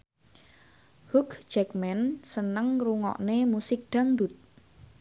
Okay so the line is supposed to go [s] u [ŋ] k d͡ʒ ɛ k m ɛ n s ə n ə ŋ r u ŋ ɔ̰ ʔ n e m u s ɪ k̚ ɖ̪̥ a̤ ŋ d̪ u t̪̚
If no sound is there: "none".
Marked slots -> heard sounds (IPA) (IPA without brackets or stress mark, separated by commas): h, none